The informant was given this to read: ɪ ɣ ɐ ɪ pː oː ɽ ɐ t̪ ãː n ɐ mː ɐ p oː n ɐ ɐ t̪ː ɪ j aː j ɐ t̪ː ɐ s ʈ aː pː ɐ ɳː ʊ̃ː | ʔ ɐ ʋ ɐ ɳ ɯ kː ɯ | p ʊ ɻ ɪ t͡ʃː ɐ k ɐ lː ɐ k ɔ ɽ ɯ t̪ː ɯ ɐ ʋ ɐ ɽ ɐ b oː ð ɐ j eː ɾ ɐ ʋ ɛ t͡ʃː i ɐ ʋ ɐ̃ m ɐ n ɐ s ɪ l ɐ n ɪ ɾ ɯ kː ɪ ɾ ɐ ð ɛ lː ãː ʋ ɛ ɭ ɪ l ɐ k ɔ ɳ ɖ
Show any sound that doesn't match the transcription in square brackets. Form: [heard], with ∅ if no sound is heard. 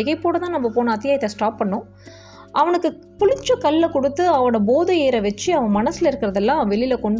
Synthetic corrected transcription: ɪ ɣ ɐ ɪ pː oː ɽ ɐ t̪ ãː n ɐ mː ɐ p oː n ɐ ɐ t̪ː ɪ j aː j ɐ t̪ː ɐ s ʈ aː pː ɐ ɳː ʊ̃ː | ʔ ɐ ʋ ɐ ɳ ɯ kː ɯ | p ʊ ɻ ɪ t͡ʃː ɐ k ɐ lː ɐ k ɔ ɽ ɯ t̪ː ɯ ɐ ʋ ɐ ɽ ɐ b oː ð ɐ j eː ɾ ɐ ʋ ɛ t͡ʃː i ɐ ʋ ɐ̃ m ɐ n ɐ s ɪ l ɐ [∅] ɪ ɾ ɯ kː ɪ ɾ ɐ ð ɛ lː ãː ʋ ɛ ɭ ɪ l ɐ k ɔ ɳ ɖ